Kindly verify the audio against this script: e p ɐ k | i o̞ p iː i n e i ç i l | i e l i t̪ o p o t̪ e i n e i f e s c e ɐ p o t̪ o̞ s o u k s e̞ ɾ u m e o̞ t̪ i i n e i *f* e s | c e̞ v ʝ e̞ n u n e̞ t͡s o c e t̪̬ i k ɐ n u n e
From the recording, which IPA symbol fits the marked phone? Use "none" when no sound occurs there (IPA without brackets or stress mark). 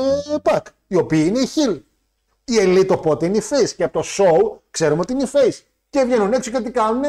f